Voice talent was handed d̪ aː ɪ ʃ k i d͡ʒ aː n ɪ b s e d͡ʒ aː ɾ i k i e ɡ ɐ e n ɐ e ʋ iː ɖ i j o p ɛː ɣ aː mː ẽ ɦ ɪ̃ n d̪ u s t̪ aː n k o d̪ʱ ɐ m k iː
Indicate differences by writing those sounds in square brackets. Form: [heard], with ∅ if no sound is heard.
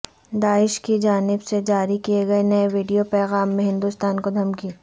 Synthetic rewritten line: d̪ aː ɪ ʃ k i d͡ʒ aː n ɪ b s e d͡ʒ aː ɾ i k i e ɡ ɐ e n ɐ e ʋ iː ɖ i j o p ɛː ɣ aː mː ẽ ɦ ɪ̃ n d̪ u s t̪ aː n k o d̪ʱ ɐ m k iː